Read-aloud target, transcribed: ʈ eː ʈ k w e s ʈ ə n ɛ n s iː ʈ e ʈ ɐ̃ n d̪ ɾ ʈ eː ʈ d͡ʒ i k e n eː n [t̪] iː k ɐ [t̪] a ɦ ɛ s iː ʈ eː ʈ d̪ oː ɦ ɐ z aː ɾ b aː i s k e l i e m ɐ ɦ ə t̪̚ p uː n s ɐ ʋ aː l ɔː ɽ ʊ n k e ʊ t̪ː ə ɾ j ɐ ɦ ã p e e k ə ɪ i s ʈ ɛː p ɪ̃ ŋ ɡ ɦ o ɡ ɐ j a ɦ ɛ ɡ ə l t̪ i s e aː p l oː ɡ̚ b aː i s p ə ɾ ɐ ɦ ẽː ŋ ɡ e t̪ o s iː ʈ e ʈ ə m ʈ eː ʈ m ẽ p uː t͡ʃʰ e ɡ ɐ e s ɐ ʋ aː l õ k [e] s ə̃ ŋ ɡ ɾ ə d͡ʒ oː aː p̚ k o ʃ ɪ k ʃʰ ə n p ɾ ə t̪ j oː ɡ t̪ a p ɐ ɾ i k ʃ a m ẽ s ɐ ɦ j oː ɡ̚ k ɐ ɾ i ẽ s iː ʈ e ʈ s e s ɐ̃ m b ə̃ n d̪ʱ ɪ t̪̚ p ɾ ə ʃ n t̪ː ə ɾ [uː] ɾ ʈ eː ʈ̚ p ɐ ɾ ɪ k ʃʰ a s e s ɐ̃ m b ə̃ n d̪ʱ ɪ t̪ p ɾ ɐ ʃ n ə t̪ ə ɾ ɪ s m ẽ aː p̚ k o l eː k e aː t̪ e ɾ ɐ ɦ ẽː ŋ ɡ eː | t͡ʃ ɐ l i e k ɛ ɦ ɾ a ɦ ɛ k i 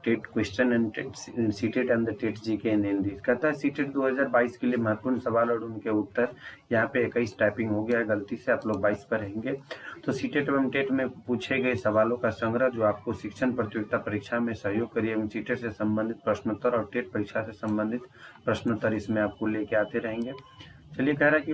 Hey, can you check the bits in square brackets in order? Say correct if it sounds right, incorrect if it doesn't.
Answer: incorrect: d̪, correct, incorrect: a, incorrect: ɔː

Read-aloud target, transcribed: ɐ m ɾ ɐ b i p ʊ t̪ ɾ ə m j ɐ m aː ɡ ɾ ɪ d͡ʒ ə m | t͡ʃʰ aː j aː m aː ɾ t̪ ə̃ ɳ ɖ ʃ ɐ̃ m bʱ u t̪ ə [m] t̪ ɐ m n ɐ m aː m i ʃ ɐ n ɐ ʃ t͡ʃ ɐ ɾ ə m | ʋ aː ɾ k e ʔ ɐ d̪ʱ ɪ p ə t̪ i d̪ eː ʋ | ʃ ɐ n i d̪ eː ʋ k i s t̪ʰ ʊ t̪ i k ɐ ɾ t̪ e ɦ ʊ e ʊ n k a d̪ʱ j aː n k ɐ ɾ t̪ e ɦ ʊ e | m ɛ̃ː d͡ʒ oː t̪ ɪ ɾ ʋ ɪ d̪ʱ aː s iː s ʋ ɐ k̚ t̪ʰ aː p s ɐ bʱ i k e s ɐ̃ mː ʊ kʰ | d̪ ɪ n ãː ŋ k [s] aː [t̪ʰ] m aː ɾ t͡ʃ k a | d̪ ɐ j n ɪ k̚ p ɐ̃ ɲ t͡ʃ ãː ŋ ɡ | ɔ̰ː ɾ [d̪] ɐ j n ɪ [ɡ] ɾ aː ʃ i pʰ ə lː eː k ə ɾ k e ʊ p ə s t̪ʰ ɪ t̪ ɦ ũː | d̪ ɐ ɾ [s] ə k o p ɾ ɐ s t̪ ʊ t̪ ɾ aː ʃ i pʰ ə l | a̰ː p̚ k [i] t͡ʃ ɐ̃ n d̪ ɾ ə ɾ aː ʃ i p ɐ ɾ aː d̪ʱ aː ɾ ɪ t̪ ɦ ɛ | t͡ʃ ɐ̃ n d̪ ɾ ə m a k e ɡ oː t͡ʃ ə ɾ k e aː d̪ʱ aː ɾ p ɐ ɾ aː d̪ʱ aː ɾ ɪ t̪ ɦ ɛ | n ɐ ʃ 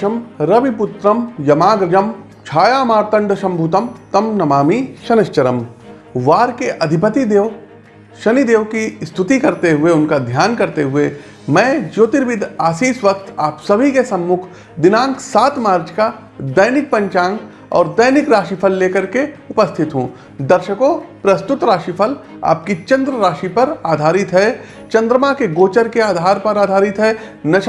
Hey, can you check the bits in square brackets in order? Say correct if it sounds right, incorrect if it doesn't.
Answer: correct, correct, incorrect: t̪, correct, incorrect: k, incorrect: ʃ, correct

